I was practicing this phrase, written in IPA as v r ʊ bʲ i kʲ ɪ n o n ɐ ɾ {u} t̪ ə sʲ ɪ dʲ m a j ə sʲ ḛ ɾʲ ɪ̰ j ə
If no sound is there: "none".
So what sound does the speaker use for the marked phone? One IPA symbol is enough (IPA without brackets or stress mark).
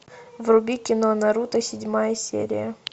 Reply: u